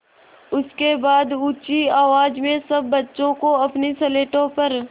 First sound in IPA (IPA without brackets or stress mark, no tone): ʊ